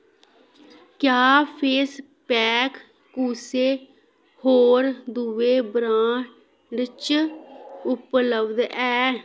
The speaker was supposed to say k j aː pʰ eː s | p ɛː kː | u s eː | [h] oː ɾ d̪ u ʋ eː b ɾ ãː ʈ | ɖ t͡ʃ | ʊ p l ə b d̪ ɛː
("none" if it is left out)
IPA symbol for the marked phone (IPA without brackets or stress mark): h